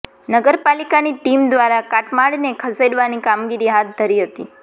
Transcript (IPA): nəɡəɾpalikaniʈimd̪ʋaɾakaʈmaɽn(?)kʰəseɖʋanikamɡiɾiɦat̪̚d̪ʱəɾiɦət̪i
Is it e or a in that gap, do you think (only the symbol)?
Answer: e